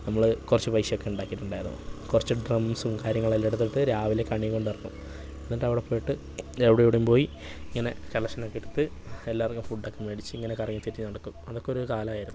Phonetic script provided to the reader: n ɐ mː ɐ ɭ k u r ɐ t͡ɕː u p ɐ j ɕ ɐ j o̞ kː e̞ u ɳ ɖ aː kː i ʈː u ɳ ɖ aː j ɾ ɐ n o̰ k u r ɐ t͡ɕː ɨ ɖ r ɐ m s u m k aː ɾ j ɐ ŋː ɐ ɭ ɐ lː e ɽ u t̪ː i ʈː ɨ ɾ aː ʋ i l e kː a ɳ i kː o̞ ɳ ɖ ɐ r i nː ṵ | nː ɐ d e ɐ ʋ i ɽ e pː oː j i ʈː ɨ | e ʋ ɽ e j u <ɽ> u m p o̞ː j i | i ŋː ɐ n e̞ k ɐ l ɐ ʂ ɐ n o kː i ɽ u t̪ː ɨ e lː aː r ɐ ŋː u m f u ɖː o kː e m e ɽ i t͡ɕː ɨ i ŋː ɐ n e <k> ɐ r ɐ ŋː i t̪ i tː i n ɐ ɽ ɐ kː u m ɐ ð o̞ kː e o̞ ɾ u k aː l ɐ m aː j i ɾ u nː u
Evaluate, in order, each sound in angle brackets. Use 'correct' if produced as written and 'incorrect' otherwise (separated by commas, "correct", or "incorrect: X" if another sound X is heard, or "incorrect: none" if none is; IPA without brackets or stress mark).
correct, correct